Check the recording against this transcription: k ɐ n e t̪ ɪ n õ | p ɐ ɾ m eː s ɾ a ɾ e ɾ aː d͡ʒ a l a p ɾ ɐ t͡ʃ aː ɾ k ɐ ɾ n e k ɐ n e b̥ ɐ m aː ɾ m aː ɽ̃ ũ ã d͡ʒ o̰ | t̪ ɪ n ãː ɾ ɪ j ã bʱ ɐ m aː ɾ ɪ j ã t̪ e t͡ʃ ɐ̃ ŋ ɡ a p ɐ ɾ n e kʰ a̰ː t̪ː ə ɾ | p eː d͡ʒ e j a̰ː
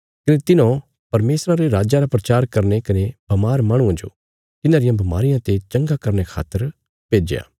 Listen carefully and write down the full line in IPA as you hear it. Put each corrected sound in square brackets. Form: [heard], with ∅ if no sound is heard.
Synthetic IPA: k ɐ n e t̪ ɪ n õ | p ɐ ɾ m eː s ɾ a ɾ e ɾ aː d͡ʒ a [ɾ] a p ɾ ɐ t͡ʃ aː ɾ k ɐ ɾ n e k ɐ n e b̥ ɐ m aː ɾ m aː ɽ̃ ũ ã d͡ʒ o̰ | t̪ ɪ n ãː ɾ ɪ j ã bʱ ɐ m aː ɾ ɪ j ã t̪ e t͡ʃ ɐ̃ ŋ ɡ a [k] ɐ ɾ n e kʰ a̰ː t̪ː ə ɾ | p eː d͡ʒ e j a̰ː

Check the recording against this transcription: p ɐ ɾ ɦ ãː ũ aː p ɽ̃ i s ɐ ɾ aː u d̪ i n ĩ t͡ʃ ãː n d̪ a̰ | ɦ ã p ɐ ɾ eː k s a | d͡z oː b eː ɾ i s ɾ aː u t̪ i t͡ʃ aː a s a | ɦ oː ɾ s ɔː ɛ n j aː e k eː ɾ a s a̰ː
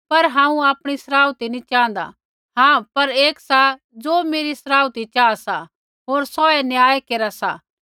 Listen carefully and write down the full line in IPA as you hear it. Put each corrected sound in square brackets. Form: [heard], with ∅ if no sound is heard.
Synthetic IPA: p ɐ ɾ ɦ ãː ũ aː p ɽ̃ i s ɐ ɾ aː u [t̪] i n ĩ t͡ʃ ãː n d̪ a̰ | ɦ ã p ɐ ɾ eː k s a | d͡z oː [m] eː ɾ i s ɾ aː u t̪ i t͡ʃ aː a s a | ɦ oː ɾ s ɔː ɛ n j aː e k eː ɾ a s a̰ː

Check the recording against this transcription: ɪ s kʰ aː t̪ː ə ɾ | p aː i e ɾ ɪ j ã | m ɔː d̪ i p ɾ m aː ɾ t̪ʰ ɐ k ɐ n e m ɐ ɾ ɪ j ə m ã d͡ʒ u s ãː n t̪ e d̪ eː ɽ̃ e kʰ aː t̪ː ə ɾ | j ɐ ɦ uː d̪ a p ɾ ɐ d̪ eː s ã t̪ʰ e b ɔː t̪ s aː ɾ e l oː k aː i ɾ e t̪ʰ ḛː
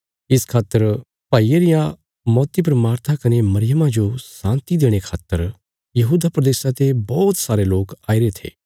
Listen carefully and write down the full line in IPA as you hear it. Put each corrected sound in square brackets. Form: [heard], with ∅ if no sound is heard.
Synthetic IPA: ɪ s kʰ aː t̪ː ə ɾ | p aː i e ɾ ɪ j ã | m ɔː [t̪] i p ɾ m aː ɾ t̪ʰ [a] k ɐ n e m ɐ ɾ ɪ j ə m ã d͡ʒ [o] s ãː n t̪ [i] d̪ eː ɽ̃ e kʰ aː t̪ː ə ɾ | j ɐ ɦ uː d̪ a p ɾ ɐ d̪ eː s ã [t̪] e b ɔː t̪ s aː ɾ e l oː k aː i ɾ e t̪ʰ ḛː

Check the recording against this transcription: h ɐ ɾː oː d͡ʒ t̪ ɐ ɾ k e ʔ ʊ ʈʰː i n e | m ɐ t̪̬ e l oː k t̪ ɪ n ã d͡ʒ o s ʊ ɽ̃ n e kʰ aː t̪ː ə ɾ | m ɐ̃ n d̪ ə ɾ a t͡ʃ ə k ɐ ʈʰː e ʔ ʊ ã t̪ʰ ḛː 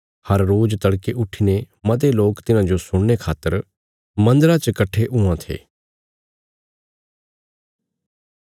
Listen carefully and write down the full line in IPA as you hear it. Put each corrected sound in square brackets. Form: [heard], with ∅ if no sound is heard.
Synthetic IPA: h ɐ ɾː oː d͡ʒ t̪ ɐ [ɽ] k e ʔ ʊ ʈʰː i n e | m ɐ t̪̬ e l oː k t̪ ɪ n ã d͡ʒ o s ʊ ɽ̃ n e kʰ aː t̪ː ə ɾ | m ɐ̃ n d̪ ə ɾ a t͡ʃ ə k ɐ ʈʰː e ʔ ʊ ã t̪ʰ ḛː

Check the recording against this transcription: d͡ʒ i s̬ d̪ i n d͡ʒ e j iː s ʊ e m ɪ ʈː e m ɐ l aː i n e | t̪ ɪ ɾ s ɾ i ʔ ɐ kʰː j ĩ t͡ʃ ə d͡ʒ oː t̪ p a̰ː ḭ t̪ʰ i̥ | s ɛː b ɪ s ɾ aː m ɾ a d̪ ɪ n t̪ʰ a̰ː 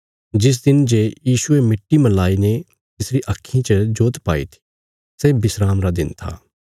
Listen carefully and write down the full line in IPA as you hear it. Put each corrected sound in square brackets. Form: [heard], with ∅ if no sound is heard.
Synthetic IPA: d͡ʒ [ɪ] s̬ d̪ [ɪ] n d͡ʒ e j iː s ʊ e m ɪ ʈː [i] m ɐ l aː i n e | t̪ ɪ [∅] s ɾ i ʔ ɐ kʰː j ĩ t͡ʃ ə d͡ʒ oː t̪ p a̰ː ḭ t̪ʰ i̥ | s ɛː b ɪ s ɾ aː m ɾ a d̪ ɪ n t̪ʰ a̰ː

